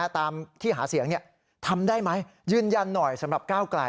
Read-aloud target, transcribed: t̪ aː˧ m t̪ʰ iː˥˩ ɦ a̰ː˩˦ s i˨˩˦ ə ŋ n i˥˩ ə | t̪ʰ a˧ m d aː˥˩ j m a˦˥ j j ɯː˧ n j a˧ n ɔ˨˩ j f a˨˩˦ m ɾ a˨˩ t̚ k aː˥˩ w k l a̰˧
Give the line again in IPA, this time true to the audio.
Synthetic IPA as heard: t̪ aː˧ m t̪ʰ iː˥˩ ɦ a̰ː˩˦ s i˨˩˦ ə ŋ n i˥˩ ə | t̪ʰ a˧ m d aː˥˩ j m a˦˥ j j ɯː˥˩ n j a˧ nː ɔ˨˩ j s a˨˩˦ m ɾ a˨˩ p̚ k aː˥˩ w k l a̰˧

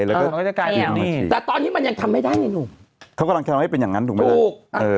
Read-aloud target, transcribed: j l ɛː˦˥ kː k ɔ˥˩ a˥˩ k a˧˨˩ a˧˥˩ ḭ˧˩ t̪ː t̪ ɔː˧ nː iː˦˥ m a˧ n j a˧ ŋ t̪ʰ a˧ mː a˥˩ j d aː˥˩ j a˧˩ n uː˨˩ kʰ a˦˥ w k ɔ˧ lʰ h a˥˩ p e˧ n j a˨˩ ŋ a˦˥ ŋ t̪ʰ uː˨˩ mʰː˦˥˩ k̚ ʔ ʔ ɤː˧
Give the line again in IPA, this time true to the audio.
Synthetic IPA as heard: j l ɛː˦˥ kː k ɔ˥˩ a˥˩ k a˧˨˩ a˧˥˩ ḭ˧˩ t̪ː t̪ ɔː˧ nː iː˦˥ m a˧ n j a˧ ŋ t̪ʰ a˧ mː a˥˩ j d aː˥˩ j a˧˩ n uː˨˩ kʰ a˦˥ w k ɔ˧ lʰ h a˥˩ p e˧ n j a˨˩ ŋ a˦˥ n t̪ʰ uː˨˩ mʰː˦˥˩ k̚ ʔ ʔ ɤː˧

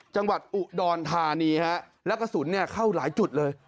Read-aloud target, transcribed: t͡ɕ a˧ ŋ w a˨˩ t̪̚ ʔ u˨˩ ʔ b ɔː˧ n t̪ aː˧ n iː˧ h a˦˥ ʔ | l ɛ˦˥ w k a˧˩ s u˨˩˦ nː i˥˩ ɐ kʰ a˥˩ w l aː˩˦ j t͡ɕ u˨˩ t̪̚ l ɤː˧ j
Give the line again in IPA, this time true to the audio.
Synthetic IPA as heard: t͡ɕ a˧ ŋ w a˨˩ t̪̚ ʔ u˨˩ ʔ d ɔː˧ n t̪ʰ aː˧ n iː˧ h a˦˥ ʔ | l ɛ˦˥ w k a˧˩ s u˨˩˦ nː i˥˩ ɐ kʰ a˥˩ w l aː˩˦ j t͡ɕ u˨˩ t̪̚ l ɤː˧ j

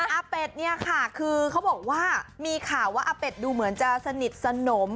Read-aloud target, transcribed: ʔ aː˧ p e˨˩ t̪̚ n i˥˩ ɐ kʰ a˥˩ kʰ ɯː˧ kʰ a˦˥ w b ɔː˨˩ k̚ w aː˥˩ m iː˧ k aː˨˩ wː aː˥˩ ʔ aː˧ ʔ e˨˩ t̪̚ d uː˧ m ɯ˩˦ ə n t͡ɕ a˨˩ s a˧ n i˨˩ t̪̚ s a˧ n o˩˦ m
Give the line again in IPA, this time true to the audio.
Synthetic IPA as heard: ʔ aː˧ p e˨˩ t̪̚ n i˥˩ ɐ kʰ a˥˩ kʰ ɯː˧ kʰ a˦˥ w b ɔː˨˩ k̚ w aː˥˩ m iː˧ kʰ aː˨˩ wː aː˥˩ ʔ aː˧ p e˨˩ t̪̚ d uː˧ m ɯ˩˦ ə n t͡ɕ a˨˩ s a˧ n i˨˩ t̪̚ s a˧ n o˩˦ m

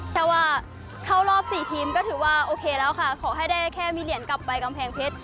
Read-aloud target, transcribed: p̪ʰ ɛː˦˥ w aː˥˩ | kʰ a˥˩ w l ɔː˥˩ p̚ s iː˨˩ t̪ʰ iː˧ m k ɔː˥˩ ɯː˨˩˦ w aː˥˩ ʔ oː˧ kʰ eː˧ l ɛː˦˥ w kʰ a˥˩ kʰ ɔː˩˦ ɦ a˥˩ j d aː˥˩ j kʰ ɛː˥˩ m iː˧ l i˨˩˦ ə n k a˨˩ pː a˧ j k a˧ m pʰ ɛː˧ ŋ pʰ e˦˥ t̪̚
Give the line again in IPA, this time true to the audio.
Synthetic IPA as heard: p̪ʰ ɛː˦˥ w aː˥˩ | kʰ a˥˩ w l ɔː˥˩ p̚ s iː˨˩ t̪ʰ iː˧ m k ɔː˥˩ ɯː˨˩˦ w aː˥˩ ʔ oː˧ kʰ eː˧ l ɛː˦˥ w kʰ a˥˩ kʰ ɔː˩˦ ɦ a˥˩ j d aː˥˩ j kʰ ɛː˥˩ m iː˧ l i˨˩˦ ə n k a˨˩ pː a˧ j k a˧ m pʰ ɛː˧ ŋ pʰ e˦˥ t̪̚

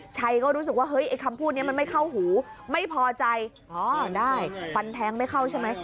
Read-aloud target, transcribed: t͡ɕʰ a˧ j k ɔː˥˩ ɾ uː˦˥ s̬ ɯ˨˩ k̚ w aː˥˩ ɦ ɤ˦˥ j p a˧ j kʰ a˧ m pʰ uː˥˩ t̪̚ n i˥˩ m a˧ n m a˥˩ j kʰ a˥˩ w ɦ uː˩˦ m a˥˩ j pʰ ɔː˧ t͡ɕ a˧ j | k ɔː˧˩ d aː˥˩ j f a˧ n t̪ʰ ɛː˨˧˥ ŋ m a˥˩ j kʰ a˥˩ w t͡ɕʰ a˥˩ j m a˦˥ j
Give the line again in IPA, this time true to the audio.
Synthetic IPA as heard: t͡ɕʰ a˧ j k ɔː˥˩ ɾ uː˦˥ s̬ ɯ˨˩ k̚ w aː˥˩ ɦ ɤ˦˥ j ʔ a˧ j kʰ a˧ m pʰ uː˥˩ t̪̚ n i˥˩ m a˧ n m a˥˩ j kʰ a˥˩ w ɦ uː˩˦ m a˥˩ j pʰ ɔː˧ t͡ɕ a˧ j | ʔ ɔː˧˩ d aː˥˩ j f a˧ n t̪ʰ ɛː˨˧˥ ŋ m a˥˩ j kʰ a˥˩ w t͡ɕʰ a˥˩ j m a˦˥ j

